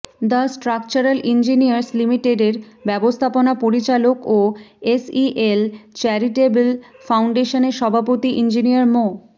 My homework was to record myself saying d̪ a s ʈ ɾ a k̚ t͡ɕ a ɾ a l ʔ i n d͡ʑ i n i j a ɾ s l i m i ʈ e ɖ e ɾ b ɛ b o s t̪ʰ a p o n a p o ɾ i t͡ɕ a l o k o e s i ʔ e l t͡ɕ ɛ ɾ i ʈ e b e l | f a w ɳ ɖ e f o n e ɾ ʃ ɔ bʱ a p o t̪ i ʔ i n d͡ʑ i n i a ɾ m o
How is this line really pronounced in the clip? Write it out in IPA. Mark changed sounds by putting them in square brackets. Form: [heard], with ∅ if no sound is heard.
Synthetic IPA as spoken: d̪ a s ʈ ɾ a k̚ t͡ɕ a ɾ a l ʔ i n d͡ʑ i n i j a ɾ s l i m i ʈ e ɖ e ɾ b ɛ b o s t̪ʰ a p o n a p o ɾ i t͡ɕ a l o k o e s i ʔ e l t͡ɕ ɛ ɾ i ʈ e b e l | f a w ɳ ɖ e [ʃ] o n e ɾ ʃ ɔ bʱ a p o t̪ i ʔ i n d͡ʑ i n i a ɾ m o